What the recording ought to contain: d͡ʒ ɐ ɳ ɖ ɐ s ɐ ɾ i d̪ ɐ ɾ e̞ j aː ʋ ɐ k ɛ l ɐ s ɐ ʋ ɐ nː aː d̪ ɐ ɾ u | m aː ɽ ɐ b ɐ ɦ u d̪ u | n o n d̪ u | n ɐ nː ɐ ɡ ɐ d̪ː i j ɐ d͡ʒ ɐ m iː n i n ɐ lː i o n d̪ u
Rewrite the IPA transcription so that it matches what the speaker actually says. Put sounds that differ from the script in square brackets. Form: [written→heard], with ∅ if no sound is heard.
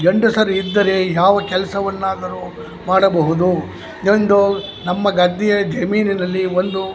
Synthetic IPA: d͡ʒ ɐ ɳ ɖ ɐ s ɐ ɾ i [d̪→d̪ː] ɐ ɾ e̞ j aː ʋ ɐ k ɛ l ɐ s ɐ ʋ ɐ nː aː d̪ ɐ ɾ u | m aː ɽ ɐ b ɐ ɦ u d̪ u | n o n d̪ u | n ɐ [nː→mː] ɐ ɡ ɐ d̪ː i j ɐ d͡ʒ ɐ m iː n i n ɐ lː i o n d̪ u

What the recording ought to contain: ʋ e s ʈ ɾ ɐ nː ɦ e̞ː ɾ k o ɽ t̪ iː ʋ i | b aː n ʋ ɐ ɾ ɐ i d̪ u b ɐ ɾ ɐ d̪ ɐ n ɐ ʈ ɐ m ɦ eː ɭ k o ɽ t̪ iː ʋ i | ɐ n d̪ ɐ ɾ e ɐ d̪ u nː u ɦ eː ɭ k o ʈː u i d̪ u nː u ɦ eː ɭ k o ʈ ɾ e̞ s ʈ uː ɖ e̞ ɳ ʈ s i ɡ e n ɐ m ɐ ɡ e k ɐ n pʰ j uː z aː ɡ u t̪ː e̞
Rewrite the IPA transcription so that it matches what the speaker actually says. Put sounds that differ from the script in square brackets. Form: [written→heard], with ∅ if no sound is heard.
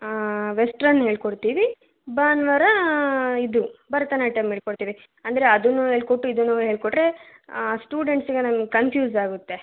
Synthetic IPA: ʋ e s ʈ ɾ ɐ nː ɦ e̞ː [ɾ→ɭ] k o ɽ t̪ iː ʋ i | b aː n ʋ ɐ ɾ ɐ i d̪ u b ɐ ɾ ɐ [d̪→t̪] ɐ n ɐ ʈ ɐ m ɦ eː ɭ k o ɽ t̪ iː ʋ i | ɐ n d̪ ɐ ɾ e ɐ d̪ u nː u ɦ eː ɭ k o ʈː u i d̪ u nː u ɦ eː ɭ k o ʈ ɾ e̞ s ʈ uː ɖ e̞ ɳ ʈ s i ɡ e n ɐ m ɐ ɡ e k ɐ n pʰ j uː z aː ɡ u t̪ː e̞

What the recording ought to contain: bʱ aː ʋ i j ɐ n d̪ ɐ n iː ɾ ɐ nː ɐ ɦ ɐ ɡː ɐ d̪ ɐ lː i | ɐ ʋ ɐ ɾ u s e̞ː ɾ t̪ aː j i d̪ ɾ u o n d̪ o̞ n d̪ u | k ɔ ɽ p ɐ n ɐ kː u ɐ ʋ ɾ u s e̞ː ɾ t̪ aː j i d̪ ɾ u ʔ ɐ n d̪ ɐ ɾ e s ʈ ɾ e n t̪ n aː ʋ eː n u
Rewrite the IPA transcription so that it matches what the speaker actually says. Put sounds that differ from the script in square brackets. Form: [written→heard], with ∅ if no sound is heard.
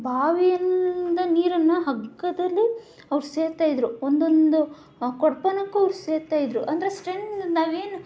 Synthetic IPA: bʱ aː ʋ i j ɐ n d̪ ɐ n iː ɾ ɐ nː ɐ ɦ ɐ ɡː ɐ d̪ ɐ lː i | ɐ ʋ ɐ ɾ u s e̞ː ɾ t̪ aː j i d̪ ɾ u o n d̪ o̞ n d̪ u | k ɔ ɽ p ɐ n ɐ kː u ɐ ʋ ɾ u s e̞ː ɾ t̪ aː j i d̪ ɾ u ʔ ɐ n d̪ ɐ ɾ e s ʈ ɾ e n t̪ n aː ʋ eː n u

